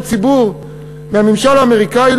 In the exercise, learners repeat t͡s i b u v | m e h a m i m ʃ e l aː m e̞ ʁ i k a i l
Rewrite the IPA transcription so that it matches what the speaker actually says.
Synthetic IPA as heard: t͡s i b u ʁ | m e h a m i m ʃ a l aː m e̞ ʁ i k a i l